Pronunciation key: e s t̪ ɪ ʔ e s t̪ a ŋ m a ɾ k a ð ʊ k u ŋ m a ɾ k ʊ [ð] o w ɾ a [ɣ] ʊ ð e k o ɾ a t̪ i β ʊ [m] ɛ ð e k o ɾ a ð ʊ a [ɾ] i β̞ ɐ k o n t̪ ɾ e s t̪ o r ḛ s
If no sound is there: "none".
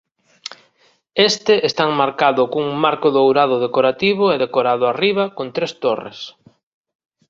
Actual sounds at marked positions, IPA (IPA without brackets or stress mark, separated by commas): ð, ð, none, r